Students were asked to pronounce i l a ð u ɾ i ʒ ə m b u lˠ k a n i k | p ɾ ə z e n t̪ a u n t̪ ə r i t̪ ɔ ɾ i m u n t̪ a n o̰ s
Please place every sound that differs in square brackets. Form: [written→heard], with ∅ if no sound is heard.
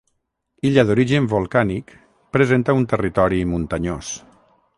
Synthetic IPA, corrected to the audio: i [l→ʎ] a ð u ɾ i ʒ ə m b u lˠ k a n i k | p ɾ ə z e n t̪ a u n t̪ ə r i t̪ ɔ ɾ i m u n t̪ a [n→ɲ] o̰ s